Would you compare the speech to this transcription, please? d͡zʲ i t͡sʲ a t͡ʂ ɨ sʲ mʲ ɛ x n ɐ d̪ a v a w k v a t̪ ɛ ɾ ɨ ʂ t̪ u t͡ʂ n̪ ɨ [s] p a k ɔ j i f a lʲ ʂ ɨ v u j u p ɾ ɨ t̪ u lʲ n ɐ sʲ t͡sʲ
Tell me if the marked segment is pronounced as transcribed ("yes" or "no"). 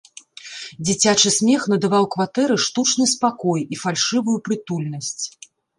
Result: yes